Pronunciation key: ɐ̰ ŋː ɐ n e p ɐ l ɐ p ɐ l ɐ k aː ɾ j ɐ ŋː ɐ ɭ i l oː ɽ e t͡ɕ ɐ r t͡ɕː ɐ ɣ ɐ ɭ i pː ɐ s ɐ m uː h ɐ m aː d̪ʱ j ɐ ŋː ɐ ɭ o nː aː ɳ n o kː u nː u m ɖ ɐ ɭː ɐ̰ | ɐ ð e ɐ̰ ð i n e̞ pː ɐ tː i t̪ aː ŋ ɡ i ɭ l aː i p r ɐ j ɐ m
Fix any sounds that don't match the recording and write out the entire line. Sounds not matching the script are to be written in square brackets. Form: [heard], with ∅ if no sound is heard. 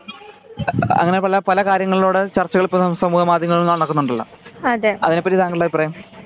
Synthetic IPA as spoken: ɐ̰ ŋː ɐ n e p ɐ l ɐ p ɐ l ɐ k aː ɾ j ɐ ŋː ɐ ɭ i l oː ɽ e t͡ɕ ɐ r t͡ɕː ɐ ɣ ɐ ɭ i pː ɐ s ɐ m uː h ɐ m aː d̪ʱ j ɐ ŋː ɐ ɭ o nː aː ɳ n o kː u nː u [ɳ] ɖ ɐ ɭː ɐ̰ | ɐ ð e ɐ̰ ð i n e̞ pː ɐ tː i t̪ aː ŋ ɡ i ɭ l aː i p r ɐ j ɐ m